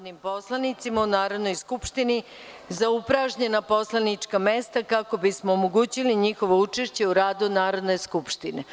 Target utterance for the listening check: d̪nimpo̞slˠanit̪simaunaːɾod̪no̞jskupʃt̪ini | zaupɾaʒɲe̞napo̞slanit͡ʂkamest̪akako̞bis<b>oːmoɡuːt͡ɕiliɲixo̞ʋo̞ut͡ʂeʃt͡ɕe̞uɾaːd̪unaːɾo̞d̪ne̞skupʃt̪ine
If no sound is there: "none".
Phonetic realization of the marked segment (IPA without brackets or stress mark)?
m